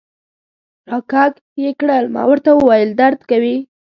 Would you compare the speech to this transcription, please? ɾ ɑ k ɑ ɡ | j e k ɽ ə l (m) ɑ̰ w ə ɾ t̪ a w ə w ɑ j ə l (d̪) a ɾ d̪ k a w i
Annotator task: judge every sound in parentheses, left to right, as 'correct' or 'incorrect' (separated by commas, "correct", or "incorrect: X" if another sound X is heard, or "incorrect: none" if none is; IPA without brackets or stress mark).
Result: correct, correct